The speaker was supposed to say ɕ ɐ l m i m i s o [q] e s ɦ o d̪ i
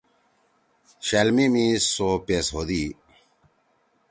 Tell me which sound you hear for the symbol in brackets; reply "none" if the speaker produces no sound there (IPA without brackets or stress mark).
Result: p